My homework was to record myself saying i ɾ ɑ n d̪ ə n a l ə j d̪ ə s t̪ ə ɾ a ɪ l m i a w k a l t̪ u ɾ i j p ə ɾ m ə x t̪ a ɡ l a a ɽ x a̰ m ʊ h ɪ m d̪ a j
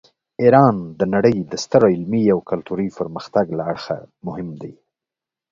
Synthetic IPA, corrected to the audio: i ɾ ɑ n d̪ ə n a ɽ ə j d̪ ə s t̪ ə ɾ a ɪ l m i a w k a l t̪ u ɾ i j p ə ɾ m ə x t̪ a ɡ l a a ɽ x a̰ m ʊ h ɪ m d̪ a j